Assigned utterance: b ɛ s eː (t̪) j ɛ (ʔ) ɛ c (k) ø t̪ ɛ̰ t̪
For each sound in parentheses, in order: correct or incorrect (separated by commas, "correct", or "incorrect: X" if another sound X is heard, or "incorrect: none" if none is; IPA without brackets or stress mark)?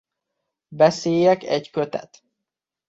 incorrect: none, incorrect: k, correct